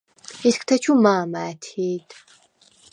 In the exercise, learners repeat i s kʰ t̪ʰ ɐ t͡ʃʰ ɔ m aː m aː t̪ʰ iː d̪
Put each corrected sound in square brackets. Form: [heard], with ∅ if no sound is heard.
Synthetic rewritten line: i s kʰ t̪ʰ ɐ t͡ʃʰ [u] m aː m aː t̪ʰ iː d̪